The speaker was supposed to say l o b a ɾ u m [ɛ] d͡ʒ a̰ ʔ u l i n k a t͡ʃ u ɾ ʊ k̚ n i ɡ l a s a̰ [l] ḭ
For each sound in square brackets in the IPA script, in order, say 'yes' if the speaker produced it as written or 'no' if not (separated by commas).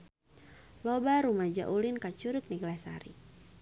no, no